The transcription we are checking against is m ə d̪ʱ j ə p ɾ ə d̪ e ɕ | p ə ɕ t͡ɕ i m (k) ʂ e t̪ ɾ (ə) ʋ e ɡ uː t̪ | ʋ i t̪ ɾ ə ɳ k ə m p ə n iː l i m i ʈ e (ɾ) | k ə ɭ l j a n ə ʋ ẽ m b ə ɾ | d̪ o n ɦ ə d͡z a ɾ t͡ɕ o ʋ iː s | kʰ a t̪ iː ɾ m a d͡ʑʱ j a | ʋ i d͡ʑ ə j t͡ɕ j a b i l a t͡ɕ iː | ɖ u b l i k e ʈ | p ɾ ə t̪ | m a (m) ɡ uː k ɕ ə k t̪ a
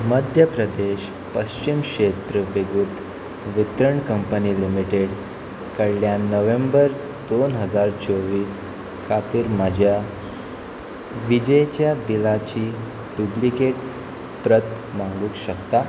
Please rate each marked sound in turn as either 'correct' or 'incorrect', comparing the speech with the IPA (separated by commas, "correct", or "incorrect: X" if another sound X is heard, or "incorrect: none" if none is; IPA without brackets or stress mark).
correct, correct, incorrect: ɽ, incorrect: ŋ